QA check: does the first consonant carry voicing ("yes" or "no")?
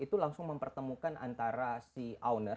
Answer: no